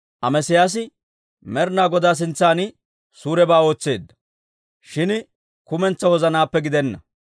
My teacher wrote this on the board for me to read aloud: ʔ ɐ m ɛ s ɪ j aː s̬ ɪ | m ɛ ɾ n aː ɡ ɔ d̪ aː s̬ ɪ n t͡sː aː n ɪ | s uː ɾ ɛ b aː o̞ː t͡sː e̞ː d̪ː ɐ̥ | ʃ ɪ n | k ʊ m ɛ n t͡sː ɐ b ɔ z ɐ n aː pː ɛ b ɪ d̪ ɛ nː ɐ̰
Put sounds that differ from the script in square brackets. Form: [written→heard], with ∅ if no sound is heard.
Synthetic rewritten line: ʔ ɐ m ɛ s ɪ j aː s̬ ɪ | m ɛ ɾ n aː ɡ ɔ d̪ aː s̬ ɪ n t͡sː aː n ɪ | s uː ɾ ɛ b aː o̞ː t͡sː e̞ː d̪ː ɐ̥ | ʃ ɪ n | k ʊ m ɛ n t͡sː ɐ [b→w] ɔ z ɐ n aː pː ɛ [b→ɡ] ɪ d̪ ɛ nː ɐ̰

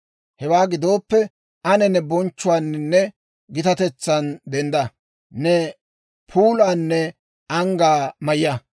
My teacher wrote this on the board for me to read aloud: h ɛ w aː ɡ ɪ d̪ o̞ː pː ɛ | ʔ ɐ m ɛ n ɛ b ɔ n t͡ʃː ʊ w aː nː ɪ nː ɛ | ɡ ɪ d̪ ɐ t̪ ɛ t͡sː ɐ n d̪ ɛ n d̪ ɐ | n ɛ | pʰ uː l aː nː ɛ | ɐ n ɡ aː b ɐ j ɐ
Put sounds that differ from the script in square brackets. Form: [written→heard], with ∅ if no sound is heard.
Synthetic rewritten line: h ɛ w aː ɡ ɪ d̪ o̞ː pː ɛ | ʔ ɐ [m→n] ɛ n ɛ b ɔ n t͡ʃː ʊ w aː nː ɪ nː ɛ | ɡ ɪ [d̪→t̪] ɐ t̪ ɛ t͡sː ɐ n d̪ ɛ n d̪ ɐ | n ɛ | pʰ uː l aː nː ɛ | ɐ [n→ŋ] ɡ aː [b→m] ɐ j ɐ

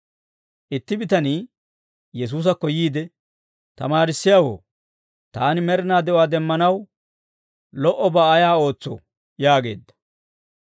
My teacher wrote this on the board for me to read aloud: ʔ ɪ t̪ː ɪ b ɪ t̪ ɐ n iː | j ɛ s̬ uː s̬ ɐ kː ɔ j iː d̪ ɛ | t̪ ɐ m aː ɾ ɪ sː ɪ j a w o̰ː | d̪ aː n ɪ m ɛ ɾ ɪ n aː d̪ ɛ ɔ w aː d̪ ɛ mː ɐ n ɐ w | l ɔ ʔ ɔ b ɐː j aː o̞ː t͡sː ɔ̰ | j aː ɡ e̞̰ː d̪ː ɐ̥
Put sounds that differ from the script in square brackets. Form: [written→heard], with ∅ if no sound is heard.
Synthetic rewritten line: ʔ ɪ t̪ː ɪ b ɪ t̪ ɐ n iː | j ɛ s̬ uː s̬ ɐ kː ɔ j iː d̪ ɛ | t̪ ɐ m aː ɾ ɪ sː ɪ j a w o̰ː | [d̪→t̪] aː n ɪ m ɛ ɾ ɪ n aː d̪ ɛ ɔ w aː d̪ ɛ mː ɐ n ɐ w | l ɔ ʔ ɔ b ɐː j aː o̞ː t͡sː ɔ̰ | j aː ɡ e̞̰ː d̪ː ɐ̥

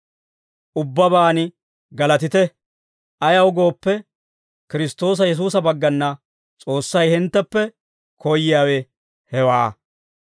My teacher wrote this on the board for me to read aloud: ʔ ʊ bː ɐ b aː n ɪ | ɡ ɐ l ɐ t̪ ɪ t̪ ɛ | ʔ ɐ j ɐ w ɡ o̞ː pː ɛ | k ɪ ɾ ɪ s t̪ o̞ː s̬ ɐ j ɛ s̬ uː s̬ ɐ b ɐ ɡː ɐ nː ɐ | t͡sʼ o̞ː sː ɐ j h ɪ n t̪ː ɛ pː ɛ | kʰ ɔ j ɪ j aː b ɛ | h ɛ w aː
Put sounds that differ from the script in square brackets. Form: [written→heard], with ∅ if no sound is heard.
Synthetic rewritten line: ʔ ʊ bː ɐ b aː n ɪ | ɡ ɐ l ɐ t̪ ɪ t̪ ɛ | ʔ ɐ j ɐ w ɡ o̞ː pː ɛ | k ɪ ɾ ɪ s t̪ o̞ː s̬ ɐ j ɛ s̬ uː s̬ ɐ b ɐ ɡː ɐ nː ɐ | t͡sʼ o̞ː sː ɐ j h ɪ n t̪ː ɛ pː ɛ | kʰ ɔ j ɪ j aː [b→w] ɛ | h ɛ w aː

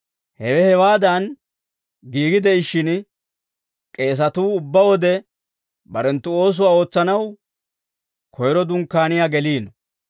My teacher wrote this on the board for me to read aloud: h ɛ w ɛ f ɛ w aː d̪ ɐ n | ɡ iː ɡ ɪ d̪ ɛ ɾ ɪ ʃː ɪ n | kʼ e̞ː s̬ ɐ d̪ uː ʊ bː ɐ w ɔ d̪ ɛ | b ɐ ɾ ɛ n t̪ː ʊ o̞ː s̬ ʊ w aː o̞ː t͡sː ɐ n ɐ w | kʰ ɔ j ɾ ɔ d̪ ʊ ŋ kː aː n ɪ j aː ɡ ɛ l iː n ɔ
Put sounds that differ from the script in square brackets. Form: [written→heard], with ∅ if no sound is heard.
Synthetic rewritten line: h ɛ w ɛ [f→h] ɛ w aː d̪ ɐ n | ɡ iː ɡ ɪ d̪ ɛ [ɾ→∅] ɪ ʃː ɪ n | kʼ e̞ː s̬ ɐ [d̪→t̪] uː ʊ bː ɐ w ɔ d̪ ɛ | b ɐ ɾ ɛ n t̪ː ʊ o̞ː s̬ ʊ w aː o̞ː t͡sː ɐ n ɐ w | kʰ ɔ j ɾ ɔ d̪ ʊ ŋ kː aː n ɪ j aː ɡ ɛ l iː n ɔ

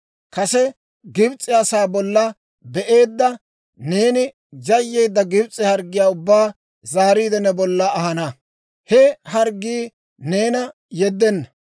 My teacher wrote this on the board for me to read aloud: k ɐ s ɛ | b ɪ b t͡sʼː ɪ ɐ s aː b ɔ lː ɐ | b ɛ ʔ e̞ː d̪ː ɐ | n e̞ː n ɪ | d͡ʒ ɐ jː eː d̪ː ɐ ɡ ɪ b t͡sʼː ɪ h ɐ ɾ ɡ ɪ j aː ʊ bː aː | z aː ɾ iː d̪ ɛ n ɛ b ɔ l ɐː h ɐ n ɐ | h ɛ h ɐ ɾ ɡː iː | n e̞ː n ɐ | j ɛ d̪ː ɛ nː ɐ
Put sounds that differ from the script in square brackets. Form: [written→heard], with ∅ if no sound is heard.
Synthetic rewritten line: k ɐ s ɛ | [b→ɡ] ɪ b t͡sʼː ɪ ɐ s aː b ɔ lː ɐ | b ɛ ʔ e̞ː d̪ː ɐ | n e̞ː n ɪ | d͡ʒ ɐ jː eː d̪ː ɐ ɡ ɪ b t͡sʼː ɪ h ɐ ɾ ɡ ɪ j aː ʊ bː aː | z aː ɾ iː d̪ ɛ n ɛ b ɔ [l→lː] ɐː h ɐ n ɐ | h ɛ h ɐ ɾ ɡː iː | n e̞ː n ɐ | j ɛ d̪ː ɛ nː ɐ

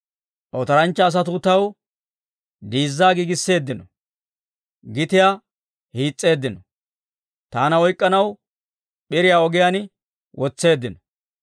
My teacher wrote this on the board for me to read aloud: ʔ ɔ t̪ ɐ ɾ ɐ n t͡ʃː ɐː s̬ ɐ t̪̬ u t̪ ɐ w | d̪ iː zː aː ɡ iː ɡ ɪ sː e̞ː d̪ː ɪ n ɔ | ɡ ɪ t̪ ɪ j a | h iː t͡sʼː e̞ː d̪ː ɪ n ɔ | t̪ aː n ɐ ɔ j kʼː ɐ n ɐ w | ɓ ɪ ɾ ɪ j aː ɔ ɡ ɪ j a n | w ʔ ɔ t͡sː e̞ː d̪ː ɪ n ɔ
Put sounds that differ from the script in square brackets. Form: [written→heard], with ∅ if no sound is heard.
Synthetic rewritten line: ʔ ɔ t̪ ɐ ɾ ɐ n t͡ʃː ɐː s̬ ɐ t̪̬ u t̪ ɐ w | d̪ iː zː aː ɡ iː ɡ ɪ sː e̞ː d̪ː ɪ n ɔ | ɡ ɪ t̪ ɪ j a | h iː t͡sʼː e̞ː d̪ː ɪ n ɔ | t̪ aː n ɐ ɔ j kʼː ɐ n ɐ w | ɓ ɪ ɾ ɪ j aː ɔ ɡ ɪ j a n | w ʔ ɔ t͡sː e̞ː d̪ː ɪ n ɔ

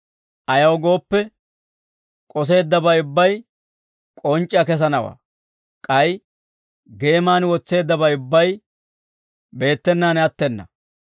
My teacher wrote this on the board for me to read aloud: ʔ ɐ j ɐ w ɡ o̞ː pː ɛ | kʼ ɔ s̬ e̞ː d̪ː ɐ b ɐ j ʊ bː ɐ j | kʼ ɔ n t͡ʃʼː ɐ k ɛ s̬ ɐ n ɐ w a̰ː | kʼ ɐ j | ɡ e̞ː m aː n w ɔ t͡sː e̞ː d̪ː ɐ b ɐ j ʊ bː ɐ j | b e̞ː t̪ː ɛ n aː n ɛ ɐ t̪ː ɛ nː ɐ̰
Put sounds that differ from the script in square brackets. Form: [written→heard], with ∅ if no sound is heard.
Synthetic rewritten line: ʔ ɐ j ɐ w ɡ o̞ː pː ɛ | kʼ ɔ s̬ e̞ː d̪ː ɐ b ɐ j ʊ bː ɐ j | kʼ ɔ n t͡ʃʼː ɐ k ɛ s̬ ɐ n ɐ w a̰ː | kʼ ɐ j | ɡ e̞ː m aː n w ɔ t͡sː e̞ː d̪ː ɐ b ɐ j ʊ bː ɐ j | b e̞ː t̪ː ɛ [n→nː] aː n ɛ ɐ t̪ː ɛ nː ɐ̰

